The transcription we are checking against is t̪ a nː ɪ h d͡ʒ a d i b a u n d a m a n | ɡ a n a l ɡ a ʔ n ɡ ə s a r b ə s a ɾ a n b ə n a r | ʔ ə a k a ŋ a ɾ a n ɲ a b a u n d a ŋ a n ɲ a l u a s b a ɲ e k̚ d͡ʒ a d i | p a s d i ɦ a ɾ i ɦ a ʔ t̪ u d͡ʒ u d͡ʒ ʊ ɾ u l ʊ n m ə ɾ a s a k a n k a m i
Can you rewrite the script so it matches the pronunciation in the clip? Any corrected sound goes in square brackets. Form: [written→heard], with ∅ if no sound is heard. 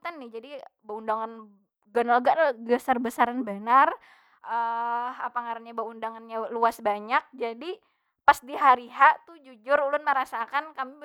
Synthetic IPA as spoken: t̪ a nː ɪ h d͡ʒ a d i b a u n d a [m→ŋ] a n | ɡ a n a l ɡ a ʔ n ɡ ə s a r b ə s a ɾ a n b ə n a r | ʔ ə a [k→p] a ŋ a ɾ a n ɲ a b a u n d a ŋ a n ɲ a l u a s b a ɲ [e→a] k̚ d͡ʒ a d i | p a s d i ɦ a ɾ i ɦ a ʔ t̪ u d͡ʒ u d͡ʒ ʊ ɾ u l ʊ n m ə ɾ a s a k a n k a m i